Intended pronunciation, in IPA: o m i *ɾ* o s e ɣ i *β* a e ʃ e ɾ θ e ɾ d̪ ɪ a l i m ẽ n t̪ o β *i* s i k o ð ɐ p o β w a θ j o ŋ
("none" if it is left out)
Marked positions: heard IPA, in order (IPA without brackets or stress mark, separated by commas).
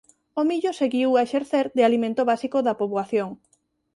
ʎ, w, a